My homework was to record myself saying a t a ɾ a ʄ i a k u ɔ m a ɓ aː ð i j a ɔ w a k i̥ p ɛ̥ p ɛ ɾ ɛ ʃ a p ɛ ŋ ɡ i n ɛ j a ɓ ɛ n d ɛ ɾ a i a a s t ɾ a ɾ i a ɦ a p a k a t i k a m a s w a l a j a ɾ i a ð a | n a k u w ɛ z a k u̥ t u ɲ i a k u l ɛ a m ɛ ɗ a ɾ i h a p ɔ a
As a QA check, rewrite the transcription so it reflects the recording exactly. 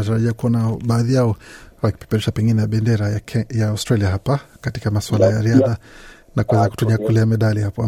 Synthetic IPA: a t a ɾ a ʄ i a k u ɔ n a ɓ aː ð i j a ɔ w a k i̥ p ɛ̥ p ɛ ɾ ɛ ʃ a p ɛ ŋ ɡ i n ɛ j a ɓ ɛ n d ɛ ɾ a j a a s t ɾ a l i a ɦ a p a k a t i k a m a s w a l a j a ɾ i a ð a | n a k u w ɛ z a k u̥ t u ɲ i a k u l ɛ a m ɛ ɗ a l i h a p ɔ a